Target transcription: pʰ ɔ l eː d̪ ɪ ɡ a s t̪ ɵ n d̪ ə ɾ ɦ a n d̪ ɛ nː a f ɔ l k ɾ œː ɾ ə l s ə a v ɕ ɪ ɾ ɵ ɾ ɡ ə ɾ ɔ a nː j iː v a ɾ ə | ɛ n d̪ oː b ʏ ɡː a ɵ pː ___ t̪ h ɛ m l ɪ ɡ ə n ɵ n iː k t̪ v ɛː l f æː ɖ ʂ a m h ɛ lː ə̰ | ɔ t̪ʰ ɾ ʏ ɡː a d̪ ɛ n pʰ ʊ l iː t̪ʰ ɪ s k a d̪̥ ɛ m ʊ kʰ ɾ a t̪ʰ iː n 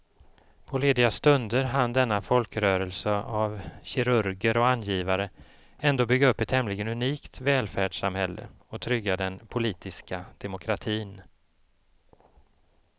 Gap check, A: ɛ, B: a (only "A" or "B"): A